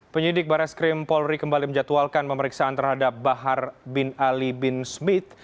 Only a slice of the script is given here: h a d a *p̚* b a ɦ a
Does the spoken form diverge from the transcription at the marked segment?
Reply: no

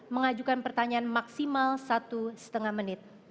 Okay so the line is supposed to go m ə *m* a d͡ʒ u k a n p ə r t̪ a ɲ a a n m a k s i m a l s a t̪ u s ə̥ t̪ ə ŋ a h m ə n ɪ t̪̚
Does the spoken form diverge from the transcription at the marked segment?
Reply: yes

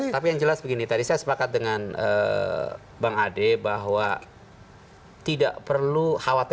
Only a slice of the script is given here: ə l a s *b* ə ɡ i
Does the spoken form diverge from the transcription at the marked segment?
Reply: no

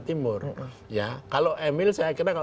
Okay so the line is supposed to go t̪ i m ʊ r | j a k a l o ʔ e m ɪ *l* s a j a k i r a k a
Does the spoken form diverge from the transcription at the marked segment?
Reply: no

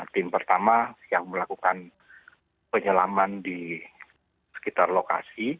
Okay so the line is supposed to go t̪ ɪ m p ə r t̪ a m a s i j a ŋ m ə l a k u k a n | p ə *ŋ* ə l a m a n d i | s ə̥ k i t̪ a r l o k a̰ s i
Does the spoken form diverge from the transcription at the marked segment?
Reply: yes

